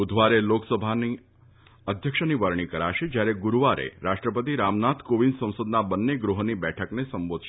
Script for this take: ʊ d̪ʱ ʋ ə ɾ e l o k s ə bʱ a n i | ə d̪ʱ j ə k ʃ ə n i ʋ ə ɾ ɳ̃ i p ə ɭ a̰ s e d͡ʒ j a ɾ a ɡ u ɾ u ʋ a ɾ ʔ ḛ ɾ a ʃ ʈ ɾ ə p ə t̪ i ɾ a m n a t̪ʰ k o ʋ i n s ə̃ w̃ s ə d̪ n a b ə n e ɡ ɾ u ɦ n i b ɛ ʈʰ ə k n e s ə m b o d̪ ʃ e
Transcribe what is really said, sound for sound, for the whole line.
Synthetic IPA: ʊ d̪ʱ ʋ a ɾ e l o k s ə bʱ a n i | ə d̪ʱ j ə k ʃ ə n i ʋ ə ɾ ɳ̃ i k ə ɾ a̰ ʃ e d͡ʒ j a ɾ e ɡ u ɾ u ʋ a ɾ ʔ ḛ ɾ a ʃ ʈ ɾ ə p ə t̪ i ɾ a m n a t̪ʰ k o ʋ i n s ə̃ w̃ s ə d̪ n a b ə nː e ɡ ɾ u ɦ n i b ɛ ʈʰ ə k n e s ə m b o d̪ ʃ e